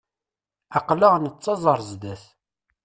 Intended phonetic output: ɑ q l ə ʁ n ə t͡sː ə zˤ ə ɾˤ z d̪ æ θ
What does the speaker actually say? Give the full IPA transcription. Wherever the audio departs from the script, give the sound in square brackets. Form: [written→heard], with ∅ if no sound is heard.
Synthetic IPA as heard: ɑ q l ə ʁ n ə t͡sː [ə→ɑ] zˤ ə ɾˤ z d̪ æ θ